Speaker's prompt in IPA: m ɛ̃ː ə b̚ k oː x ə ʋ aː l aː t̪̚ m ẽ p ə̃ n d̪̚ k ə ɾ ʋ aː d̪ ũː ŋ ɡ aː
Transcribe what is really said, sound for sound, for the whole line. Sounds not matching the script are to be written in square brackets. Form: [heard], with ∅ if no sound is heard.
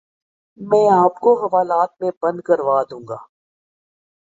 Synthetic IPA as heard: m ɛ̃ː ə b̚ k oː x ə ʋ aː l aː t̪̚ m ẽ [b] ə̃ n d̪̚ k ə ɾ ʋ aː d̪ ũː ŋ ɡ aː